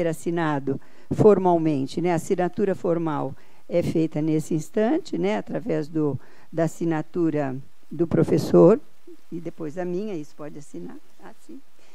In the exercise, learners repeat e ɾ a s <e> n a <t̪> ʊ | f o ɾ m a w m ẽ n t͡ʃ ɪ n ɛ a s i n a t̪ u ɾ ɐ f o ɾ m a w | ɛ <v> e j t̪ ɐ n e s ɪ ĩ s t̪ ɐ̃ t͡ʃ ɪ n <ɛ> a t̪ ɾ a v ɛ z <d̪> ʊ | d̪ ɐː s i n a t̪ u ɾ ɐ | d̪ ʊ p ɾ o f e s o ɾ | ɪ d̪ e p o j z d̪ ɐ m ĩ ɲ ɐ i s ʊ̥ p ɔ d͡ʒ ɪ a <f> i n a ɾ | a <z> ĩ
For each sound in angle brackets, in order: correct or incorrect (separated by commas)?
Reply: incorrect, incorrect, incorrect, correct, correct, incorrect, incorrect